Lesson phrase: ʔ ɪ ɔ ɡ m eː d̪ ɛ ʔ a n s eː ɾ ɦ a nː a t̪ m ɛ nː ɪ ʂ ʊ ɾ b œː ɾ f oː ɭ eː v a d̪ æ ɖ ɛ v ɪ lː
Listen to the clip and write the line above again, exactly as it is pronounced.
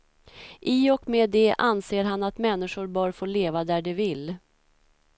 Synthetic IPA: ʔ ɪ ɔ k m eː d̪ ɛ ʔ a n s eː ɾ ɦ a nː a t̪ m ɛ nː ɪ ʂ ʊ ɾ b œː ɾ f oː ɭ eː v a d̪ æ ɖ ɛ v ɪ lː

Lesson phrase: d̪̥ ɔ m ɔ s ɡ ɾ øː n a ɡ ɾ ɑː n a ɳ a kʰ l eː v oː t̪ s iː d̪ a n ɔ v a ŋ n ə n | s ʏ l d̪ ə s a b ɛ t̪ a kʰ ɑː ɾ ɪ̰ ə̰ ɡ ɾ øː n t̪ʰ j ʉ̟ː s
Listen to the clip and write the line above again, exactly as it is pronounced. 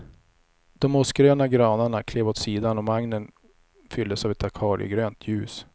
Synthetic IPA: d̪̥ ɔ m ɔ s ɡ ɾ øː n a ɡ ɾ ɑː n a ɳ a kʰ l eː v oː t̪ s iː d̪ a n ɔ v a ŋ n ə n | f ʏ l d̪ ə s a v ɛ t̪ a kʰ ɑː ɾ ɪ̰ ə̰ ɡ ɾ øː n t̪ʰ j ʉ̟ː s

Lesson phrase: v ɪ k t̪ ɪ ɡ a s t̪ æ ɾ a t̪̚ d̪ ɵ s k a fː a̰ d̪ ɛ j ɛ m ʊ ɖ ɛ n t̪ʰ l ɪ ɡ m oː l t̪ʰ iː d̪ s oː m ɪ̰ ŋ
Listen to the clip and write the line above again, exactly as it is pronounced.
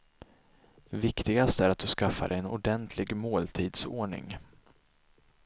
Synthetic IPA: v ɪ k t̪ ɪ ɡ a s t̪ æ ɾ a t̪̚ d̪ ɵ s k a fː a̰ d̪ ɛ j ɛ n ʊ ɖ ɛ n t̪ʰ l ɪ ɡ m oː l t̪ʰ iː d̪ s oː ɳ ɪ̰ ŋ

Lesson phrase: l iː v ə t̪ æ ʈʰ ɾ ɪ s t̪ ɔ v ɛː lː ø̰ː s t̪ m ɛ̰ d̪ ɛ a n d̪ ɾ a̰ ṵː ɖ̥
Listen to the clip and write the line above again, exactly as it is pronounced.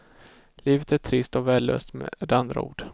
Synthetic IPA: l iː v ə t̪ æ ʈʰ ɾ ɪ s t̪ ɔ v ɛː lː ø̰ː s t̪ m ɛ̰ d̪ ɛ a n d̪ ɾ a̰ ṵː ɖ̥

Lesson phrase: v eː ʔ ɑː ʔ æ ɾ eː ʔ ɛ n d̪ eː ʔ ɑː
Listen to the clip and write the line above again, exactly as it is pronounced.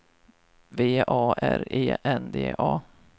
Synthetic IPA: v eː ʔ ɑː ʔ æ ɾ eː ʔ ɛ n d̪ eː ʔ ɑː

